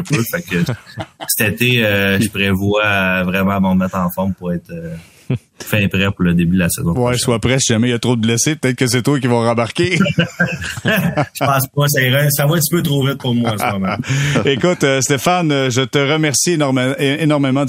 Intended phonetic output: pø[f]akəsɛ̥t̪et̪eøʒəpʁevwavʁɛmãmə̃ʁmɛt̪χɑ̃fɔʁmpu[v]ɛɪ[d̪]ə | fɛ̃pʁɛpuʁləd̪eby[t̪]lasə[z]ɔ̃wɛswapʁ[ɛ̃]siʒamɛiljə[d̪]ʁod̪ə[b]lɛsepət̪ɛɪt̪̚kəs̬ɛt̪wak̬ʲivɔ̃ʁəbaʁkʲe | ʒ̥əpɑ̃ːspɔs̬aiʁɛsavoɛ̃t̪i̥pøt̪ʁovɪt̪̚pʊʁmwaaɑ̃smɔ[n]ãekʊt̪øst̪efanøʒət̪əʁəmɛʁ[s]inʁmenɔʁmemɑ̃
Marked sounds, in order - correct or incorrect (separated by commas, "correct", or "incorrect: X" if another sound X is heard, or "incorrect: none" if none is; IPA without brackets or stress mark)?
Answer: correct, incorrect: ʁ, incorrect: t̪, incorrect: d̪, correct, incorrect: ɛ, incorrect: t̪, correct, incorrect: m, correct